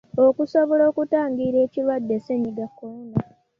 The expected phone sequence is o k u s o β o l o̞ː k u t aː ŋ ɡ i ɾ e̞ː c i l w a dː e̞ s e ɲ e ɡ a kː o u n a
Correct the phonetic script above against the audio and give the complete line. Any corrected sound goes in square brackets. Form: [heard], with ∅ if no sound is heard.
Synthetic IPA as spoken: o k u s o β o l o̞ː k u t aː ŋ ɡ i ɾ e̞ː c i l w a dː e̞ s e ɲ [i] ɡ a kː o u n a